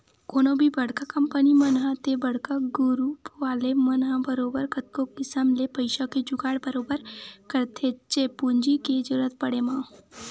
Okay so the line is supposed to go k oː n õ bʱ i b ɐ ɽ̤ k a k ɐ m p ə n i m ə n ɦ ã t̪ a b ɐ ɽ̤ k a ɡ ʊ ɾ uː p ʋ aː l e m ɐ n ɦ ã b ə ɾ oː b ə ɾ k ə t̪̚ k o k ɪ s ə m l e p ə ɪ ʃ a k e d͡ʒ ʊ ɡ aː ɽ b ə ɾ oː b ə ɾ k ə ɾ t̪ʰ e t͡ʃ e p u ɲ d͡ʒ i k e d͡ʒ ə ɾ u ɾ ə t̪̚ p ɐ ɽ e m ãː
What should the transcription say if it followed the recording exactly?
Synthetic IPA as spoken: k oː n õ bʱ i b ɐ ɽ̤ k a k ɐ m p ə n i m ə n ɦ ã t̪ e b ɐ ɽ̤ k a ɡ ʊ ɾ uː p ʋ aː l e m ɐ n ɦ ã b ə ɾ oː b ə ɾ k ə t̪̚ k o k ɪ s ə m l e p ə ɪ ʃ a k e d͡ʒ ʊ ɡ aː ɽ b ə ɾ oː b ə ɾ k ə ɾ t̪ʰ e t͡ʃ e p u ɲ d͡ʒ i k e d͡ʒ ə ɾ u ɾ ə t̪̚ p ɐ ɽ e m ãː